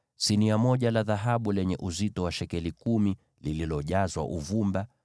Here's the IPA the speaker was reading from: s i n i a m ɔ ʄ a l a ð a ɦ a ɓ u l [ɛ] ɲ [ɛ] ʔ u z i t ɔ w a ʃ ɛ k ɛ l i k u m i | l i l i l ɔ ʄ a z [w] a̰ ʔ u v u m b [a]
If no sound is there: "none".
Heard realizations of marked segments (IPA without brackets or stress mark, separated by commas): ɛ, ɛ, w, a